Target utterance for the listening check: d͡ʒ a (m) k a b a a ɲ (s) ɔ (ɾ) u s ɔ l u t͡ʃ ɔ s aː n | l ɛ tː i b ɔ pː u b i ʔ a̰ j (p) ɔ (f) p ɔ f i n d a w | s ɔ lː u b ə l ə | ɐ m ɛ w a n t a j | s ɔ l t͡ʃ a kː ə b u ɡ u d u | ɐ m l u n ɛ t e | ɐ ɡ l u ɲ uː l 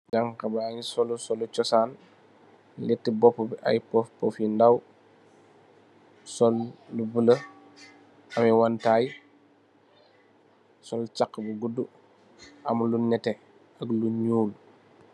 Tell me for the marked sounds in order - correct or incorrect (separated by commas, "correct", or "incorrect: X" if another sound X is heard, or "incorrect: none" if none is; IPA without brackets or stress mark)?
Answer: incorrect: ŋ, correct, incorrect: l, correct, correct